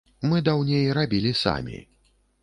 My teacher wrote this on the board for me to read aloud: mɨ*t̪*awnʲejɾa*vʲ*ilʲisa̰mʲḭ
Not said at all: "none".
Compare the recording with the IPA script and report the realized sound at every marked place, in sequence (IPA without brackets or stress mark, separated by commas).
d̪, bʲ